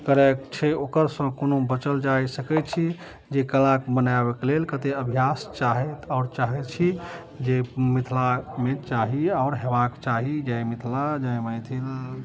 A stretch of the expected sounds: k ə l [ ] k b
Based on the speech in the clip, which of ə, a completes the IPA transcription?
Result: a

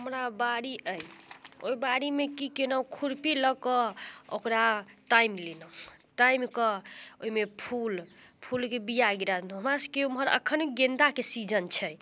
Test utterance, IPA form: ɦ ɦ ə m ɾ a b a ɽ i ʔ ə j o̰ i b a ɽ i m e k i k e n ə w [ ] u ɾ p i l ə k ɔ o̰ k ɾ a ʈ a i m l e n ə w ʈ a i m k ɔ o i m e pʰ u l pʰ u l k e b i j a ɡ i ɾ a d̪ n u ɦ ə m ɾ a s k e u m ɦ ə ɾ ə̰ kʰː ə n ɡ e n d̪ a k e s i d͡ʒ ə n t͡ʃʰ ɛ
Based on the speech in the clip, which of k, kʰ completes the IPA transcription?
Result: kʰ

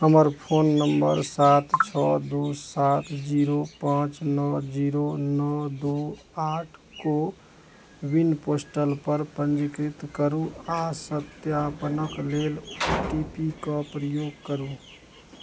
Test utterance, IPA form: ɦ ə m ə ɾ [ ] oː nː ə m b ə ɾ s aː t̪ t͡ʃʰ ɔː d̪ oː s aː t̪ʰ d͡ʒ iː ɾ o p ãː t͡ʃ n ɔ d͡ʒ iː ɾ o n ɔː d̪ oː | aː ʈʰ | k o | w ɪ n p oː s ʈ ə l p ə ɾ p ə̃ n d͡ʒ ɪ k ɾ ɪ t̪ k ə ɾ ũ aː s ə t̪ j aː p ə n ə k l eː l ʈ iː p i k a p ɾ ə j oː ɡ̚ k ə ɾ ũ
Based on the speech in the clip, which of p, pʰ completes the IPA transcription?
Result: pʰ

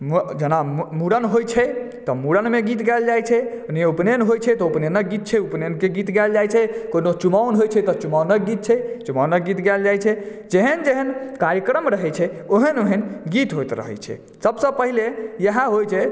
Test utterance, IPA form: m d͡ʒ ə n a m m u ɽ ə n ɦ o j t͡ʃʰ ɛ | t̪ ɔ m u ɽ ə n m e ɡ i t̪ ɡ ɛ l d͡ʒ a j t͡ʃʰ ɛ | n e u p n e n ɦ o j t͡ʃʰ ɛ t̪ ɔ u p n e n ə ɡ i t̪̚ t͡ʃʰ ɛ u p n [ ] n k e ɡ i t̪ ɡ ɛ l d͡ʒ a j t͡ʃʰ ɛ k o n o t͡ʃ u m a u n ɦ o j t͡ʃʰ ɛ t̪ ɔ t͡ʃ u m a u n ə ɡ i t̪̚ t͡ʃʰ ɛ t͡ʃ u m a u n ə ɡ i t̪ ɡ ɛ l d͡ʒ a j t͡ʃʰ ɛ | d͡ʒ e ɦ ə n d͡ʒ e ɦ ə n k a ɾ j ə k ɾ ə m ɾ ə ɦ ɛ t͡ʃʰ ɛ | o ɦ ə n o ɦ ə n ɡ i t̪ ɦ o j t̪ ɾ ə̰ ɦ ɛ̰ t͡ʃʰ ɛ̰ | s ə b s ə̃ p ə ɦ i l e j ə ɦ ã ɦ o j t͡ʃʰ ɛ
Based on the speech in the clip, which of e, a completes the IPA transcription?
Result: e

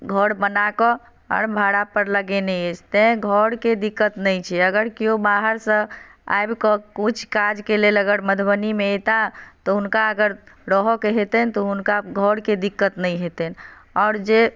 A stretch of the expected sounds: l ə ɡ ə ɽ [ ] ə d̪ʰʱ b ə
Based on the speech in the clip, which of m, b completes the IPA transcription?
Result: m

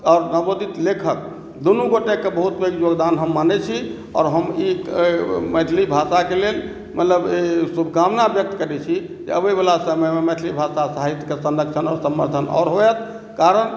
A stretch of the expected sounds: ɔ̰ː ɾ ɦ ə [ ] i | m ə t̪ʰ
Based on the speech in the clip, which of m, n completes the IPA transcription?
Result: m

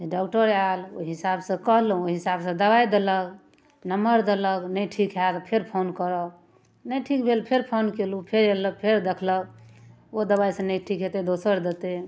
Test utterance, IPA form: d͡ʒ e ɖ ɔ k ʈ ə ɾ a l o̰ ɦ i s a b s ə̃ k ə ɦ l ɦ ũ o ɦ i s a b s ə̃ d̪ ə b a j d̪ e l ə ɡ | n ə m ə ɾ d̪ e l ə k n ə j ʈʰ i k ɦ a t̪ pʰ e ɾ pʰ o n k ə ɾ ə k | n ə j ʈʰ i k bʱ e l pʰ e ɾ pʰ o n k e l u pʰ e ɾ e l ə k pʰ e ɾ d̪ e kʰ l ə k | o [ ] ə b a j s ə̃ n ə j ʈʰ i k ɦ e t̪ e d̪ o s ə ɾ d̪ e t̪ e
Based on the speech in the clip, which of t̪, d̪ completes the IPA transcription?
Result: d̪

